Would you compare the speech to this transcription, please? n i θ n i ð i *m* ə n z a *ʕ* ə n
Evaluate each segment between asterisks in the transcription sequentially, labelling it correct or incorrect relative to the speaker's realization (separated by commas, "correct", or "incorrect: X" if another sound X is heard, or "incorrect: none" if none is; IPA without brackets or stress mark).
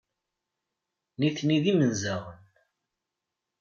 correct, incorrect: ʁ